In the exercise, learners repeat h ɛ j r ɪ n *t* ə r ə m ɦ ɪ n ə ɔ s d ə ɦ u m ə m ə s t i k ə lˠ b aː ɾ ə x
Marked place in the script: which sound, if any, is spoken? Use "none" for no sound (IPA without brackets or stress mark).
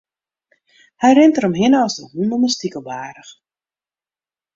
t